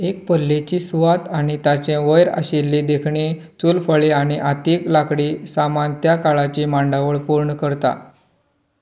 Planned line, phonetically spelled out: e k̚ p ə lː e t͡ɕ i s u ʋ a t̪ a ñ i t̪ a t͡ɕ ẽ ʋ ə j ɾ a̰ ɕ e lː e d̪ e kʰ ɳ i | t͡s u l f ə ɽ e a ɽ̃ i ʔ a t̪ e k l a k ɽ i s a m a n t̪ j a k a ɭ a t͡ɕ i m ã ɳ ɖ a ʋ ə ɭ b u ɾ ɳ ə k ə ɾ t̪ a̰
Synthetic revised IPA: e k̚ p ə lː e t͡ɕ i s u ʋ a t̪ a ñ i t̪ a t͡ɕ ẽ ʋ ə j ɾ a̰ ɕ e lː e d̪ e kʰ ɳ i | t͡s u l f ə ɭ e a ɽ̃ i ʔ a t̪ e k l a k ɽ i s a m a n t̪ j a k a ɭ a t͡ɕ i m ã ɳ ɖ a ʋ ə ɭ p u ɾ ɳ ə k ə ɾ t̪ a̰